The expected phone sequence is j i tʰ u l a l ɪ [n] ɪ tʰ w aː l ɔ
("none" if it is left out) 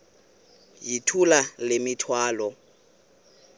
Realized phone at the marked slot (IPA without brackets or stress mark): m